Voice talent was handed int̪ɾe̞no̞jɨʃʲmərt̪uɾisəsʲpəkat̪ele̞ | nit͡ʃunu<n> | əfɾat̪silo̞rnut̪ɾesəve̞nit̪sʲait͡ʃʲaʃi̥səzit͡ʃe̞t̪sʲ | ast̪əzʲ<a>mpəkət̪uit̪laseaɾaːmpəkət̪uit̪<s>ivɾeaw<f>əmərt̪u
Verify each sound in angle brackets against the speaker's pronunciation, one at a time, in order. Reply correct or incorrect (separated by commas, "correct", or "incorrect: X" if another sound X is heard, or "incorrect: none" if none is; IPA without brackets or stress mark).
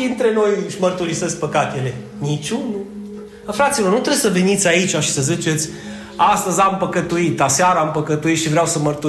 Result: incorrect: none, correct, incorrect: ʃ, incorrect: s